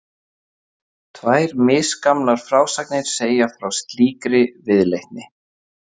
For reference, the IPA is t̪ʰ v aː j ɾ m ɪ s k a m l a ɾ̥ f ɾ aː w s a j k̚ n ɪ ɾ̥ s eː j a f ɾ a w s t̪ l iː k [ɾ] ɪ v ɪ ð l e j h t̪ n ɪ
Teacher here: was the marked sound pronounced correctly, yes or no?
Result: yes